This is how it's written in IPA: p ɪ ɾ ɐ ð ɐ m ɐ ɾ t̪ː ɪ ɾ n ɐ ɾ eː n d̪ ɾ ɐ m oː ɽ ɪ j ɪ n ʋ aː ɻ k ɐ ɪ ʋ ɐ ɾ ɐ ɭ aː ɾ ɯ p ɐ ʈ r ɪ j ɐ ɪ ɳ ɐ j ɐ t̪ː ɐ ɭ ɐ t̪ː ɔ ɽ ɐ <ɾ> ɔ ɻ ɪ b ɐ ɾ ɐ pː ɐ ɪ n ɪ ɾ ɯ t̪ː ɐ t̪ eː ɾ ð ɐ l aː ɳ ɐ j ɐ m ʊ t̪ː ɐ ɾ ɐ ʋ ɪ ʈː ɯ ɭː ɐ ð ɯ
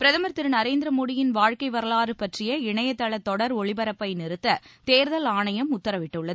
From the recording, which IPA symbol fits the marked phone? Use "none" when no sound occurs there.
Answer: ɾ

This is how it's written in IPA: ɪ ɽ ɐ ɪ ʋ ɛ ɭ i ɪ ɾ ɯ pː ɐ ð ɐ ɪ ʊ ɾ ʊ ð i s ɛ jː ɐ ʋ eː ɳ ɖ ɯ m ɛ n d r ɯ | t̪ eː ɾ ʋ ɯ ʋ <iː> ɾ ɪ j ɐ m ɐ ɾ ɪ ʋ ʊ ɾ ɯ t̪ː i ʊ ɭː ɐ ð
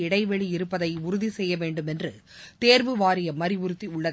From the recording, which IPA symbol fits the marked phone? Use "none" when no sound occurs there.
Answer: aː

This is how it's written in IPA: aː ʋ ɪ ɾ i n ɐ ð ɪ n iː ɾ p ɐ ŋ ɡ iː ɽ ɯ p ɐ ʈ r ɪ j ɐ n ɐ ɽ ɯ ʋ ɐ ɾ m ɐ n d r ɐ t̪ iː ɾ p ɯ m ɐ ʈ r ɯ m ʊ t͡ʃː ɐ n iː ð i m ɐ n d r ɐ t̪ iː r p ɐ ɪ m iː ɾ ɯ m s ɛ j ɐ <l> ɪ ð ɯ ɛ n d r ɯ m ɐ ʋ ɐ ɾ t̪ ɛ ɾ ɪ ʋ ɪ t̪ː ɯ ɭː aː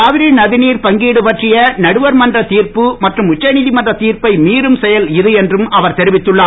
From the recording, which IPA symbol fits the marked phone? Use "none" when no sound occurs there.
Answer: l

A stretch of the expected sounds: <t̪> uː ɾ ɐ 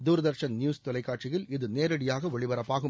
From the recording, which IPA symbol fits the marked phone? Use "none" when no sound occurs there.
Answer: d̪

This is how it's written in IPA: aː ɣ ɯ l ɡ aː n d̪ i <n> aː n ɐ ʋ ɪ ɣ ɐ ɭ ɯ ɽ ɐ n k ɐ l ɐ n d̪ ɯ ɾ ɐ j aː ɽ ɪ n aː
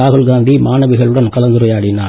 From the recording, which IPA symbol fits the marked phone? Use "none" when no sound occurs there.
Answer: m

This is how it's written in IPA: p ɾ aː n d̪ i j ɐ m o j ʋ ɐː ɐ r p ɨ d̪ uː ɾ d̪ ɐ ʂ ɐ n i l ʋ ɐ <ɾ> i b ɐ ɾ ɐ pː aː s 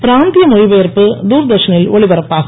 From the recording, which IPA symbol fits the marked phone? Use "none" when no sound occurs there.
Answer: ɭ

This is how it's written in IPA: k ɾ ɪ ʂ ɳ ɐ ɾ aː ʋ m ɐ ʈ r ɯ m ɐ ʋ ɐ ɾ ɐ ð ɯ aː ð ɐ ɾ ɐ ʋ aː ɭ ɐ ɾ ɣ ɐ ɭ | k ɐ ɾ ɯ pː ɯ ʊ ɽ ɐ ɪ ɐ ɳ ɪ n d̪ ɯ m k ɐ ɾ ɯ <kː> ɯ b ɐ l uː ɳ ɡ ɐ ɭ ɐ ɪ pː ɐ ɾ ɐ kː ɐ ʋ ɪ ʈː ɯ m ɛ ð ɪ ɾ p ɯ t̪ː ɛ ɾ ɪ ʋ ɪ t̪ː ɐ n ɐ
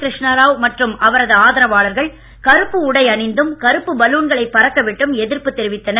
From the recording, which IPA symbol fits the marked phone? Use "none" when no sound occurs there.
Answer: pː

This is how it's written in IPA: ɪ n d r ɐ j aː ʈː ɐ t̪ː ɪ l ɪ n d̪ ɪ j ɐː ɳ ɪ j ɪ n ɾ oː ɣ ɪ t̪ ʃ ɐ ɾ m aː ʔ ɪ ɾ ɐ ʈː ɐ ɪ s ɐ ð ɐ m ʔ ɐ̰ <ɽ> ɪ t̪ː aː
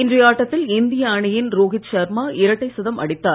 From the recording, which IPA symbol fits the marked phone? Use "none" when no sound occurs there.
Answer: ɽ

